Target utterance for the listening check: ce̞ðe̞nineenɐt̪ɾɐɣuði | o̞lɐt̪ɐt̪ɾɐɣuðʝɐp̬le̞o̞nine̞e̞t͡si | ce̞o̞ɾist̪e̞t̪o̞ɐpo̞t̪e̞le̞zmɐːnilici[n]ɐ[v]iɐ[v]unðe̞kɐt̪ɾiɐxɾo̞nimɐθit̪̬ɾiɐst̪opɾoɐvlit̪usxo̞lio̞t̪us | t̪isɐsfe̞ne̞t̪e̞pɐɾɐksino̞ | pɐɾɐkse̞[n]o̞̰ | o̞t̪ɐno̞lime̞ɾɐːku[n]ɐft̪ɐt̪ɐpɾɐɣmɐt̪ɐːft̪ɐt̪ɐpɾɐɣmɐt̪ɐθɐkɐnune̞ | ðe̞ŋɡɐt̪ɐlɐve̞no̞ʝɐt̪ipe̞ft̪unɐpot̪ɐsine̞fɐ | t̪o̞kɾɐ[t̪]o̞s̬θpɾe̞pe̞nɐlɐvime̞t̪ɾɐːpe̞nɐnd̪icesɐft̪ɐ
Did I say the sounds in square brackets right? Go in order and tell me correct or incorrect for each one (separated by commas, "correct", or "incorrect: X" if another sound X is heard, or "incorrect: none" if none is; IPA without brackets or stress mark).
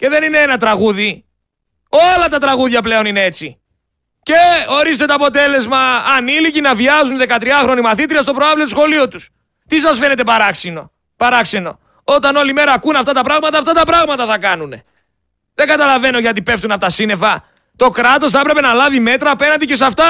correct, correct, incorrect: z, correct, correct, correct